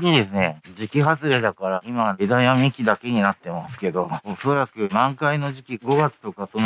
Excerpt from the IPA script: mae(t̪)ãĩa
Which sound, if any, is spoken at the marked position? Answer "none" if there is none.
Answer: d̪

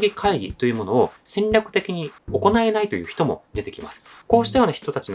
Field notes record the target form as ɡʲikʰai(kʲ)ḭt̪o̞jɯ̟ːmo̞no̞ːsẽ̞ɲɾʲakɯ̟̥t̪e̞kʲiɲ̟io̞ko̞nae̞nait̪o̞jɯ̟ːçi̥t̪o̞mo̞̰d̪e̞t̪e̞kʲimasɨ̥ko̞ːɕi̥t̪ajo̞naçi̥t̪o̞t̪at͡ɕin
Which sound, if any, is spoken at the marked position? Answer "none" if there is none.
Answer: ɡʲ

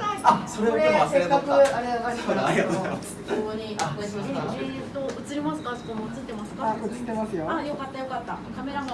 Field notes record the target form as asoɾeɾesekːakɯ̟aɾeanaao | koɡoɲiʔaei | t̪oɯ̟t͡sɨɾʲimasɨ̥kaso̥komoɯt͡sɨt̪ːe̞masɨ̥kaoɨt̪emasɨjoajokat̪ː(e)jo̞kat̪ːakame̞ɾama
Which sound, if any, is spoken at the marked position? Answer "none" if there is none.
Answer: a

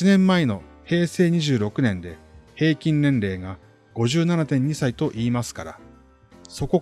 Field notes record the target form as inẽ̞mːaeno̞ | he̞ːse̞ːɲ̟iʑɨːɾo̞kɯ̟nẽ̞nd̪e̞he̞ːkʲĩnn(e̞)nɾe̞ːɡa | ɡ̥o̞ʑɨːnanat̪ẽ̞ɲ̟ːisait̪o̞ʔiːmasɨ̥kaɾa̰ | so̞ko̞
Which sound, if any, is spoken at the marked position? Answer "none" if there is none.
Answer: ẽ̞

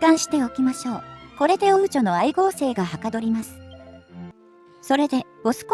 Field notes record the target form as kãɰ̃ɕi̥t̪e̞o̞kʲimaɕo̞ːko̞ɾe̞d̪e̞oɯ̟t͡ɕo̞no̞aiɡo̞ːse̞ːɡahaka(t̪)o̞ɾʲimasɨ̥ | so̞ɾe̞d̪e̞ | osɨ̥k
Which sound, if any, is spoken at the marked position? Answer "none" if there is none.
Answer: d̪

